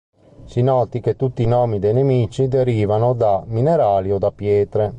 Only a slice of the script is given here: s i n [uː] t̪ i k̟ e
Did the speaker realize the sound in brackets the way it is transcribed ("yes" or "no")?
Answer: no